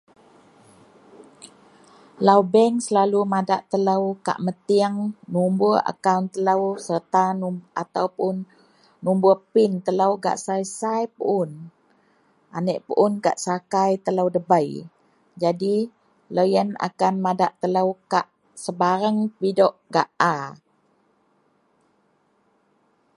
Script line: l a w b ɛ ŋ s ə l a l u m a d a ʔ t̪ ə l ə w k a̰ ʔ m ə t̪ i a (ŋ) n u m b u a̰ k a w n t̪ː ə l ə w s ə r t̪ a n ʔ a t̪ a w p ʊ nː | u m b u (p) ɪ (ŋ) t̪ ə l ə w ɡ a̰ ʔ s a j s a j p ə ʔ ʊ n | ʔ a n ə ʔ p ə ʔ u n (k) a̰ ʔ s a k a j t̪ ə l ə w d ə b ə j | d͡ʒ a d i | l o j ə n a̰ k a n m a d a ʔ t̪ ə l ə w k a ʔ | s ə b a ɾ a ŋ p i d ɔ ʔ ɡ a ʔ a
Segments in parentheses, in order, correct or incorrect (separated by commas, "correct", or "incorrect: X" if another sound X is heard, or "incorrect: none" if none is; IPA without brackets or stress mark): correct, correct, incorrect: n, correct